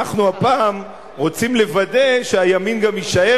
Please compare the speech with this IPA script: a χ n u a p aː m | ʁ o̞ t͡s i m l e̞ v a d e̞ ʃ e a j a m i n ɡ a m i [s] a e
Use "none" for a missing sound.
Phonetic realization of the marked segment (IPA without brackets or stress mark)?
ʃ